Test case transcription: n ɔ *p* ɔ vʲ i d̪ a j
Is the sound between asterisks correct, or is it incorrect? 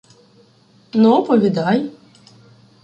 correct